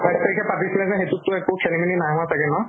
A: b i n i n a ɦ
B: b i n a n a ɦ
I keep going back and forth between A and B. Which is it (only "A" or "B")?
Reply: A